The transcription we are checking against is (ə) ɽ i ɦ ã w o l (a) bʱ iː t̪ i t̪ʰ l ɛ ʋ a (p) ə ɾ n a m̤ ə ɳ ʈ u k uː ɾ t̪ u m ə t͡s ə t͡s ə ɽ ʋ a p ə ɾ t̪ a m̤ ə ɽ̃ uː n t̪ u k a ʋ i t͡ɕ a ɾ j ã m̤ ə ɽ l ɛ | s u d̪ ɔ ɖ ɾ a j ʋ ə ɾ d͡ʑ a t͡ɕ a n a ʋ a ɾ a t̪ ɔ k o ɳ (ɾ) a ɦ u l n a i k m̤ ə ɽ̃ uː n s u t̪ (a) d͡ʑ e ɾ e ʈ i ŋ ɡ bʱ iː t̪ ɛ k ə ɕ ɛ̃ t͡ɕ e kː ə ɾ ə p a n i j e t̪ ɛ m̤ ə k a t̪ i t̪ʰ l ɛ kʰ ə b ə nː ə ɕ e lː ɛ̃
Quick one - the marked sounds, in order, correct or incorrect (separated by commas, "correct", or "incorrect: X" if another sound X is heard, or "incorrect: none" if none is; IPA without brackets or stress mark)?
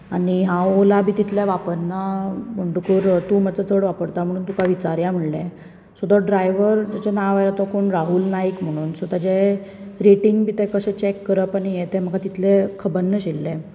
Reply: incorrect: a, correct, correct, correct, correct